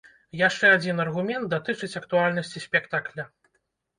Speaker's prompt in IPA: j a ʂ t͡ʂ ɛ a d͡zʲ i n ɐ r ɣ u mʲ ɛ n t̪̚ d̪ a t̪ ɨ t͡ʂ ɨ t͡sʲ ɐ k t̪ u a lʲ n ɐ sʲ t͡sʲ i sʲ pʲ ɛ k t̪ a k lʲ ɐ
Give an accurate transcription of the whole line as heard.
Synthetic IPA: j a ʂ t͡ʂ ɛ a d͡zʲ i n ɐ r ɣ u mʲ ɛ n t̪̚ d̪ a t̪ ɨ t͡ʂ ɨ t͡sʲ ɐ k t̪ u a lʲ n ɐ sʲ t͡sʲ i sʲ pʲ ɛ k t̪ a k lʲ ɐ